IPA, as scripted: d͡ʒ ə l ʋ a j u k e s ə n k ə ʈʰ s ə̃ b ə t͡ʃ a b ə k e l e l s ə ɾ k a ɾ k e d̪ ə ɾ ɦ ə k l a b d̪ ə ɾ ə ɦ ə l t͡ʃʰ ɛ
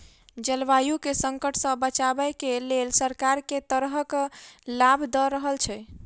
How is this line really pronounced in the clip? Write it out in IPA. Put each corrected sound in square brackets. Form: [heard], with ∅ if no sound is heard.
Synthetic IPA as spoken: d͡ʒ ə l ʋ a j u k e s ə [ŋ] k ə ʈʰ s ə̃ b ə t͡ʃ a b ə k e l e l s ə ɾ k a ɾ k e [t̪] ə ɾ ɦ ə k l a b d̪ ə ɾ ə ɦ ə l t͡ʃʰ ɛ